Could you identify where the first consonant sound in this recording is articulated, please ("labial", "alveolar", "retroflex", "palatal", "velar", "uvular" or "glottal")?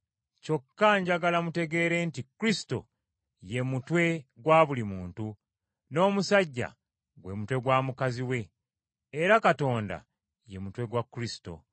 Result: palatal